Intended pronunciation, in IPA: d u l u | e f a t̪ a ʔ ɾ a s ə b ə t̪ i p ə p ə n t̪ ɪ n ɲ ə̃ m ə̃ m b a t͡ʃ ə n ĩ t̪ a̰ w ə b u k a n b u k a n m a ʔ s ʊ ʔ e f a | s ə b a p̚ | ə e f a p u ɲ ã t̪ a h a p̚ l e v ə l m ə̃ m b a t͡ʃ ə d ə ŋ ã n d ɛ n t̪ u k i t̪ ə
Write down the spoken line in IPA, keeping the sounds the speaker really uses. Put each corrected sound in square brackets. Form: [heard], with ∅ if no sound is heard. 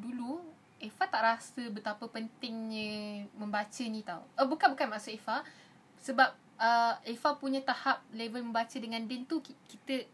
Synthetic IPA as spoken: d u l u | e f a t̪ a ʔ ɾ a s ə b ə t̪ [a] p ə p ə n t̪ ɪ [ŋ] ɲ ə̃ m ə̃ m b a t͡ʃ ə n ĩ t̪ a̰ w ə b u k a n b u k a n m a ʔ s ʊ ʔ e f a | s ə b a p̚ | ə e f a p u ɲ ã t̪ a h a p̚ l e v ə l m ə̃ m b a t͡ʃ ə d ə ŋ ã n d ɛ n t̪ u k i t̪ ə